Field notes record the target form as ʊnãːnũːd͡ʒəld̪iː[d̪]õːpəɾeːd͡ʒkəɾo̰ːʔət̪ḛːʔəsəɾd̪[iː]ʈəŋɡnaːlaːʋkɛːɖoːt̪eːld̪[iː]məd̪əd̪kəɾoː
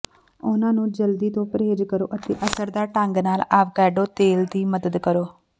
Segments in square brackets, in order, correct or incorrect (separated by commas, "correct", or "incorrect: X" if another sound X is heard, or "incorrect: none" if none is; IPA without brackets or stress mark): incorrect: t̪, incorrect: aː, correct